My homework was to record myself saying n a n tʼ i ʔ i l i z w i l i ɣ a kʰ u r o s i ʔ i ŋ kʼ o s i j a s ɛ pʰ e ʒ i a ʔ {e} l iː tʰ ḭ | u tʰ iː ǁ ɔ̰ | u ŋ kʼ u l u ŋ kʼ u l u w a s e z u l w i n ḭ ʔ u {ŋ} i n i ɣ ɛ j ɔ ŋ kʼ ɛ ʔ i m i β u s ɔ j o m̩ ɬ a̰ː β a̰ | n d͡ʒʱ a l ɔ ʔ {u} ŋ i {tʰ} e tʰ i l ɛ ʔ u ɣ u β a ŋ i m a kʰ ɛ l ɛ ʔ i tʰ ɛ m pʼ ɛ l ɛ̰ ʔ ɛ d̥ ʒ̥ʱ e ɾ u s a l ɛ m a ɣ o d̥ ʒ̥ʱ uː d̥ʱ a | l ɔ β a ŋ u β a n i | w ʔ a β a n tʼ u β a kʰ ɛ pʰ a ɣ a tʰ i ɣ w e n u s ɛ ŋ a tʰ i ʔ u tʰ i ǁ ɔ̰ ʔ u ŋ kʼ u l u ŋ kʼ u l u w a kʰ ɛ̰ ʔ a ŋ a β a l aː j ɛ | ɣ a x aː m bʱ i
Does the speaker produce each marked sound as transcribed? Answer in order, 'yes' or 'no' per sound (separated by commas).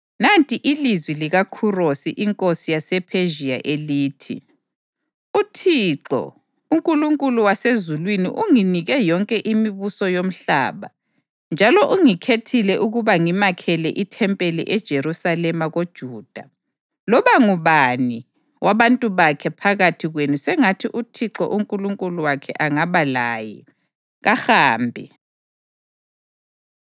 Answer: yes, yes, yes, no